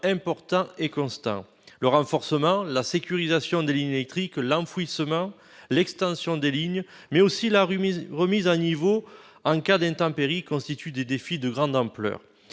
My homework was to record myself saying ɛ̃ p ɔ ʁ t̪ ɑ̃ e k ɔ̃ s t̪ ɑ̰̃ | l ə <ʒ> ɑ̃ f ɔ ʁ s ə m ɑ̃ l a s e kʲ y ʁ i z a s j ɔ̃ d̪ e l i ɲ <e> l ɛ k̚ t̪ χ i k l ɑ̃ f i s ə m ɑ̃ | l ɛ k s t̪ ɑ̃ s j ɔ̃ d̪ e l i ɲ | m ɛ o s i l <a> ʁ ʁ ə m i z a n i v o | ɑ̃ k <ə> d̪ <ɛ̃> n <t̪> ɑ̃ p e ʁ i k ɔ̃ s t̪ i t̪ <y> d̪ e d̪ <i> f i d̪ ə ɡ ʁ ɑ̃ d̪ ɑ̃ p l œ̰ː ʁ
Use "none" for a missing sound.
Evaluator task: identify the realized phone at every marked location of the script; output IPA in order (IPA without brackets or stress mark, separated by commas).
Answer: ʁ, e, a, a, ɛ̃, t̪, y, e